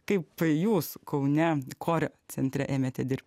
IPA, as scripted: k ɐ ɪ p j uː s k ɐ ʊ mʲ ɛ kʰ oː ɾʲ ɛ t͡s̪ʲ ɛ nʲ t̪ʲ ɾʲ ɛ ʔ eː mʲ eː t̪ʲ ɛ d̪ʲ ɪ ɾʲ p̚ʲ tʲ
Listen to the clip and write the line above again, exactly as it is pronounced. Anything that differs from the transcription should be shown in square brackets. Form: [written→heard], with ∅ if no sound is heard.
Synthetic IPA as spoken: k ɐ ɪ p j uː s k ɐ ʊ [mʲ→nʲ] ɛ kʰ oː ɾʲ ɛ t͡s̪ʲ ɛ nʲ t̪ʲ ɾʲ ɛ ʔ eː mʲ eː t̪ʲ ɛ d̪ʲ ɪ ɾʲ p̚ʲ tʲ